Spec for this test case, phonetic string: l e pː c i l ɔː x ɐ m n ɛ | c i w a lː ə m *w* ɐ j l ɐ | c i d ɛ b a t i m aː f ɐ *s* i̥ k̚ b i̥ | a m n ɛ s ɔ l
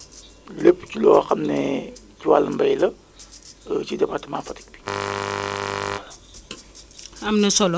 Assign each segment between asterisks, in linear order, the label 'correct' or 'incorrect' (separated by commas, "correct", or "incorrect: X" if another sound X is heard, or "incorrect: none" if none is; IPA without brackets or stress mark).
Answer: incorrect: b, incorrect: t